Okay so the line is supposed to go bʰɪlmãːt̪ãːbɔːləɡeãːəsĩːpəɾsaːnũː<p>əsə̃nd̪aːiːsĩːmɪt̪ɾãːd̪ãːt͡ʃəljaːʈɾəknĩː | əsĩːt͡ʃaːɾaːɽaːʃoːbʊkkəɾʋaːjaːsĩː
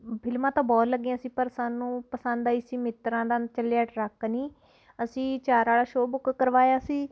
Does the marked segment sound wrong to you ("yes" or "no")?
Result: no